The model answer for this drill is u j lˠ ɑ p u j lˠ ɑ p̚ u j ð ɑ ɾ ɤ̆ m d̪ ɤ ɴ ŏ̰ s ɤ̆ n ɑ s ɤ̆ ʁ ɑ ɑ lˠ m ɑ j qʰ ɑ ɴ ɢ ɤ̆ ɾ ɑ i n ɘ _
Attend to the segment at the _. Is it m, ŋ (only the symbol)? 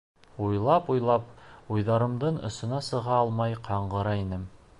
m